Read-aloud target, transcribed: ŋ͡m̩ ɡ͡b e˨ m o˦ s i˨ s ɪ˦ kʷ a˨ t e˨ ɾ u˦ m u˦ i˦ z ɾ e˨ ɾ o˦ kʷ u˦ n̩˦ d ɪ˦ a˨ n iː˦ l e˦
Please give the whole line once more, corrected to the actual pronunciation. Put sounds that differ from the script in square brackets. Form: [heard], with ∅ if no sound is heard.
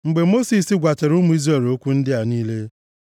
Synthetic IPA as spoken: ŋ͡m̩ ɡ͡b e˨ m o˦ s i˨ s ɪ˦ [ɡʷ] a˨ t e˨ ɾ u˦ m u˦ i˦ z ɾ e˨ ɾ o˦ kʷ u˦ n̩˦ d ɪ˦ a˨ n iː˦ l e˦